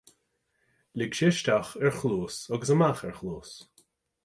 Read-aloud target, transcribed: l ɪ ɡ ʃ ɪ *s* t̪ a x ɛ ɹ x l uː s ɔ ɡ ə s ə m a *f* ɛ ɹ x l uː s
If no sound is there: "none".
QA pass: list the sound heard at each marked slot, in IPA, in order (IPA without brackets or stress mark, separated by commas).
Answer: ʃ, x